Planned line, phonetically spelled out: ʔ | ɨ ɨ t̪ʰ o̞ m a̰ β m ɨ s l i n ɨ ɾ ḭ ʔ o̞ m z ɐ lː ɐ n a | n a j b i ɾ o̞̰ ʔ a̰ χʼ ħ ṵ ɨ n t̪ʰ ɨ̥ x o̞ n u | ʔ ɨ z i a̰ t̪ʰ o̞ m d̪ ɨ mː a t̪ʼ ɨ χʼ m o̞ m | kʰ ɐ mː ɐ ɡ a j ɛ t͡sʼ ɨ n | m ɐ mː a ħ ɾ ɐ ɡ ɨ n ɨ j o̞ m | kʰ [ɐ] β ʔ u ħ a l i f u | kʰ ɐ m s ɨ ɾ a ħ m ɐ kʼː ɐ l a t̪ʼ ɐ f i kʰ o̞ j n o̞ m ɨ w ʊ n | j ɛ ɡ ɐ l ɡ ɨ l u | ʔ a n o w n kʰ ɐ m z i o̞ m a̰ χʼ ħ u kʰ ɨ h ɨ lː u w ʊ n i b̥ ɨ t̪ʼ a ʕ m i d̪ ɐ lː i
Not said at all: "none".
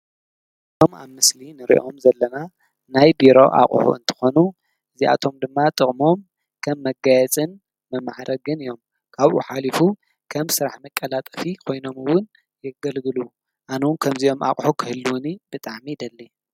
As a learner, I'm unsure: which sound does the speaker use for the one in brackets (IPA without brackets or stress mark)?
a